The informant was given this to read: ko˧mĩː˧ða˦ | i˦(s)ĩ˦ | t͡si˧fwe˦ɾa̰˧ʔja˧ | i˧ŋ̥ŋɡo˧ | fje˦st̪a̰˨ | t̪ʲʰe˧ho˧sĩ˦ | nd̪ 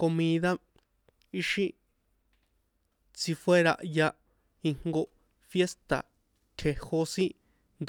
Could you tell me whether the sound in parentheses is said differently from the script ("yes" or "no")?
yes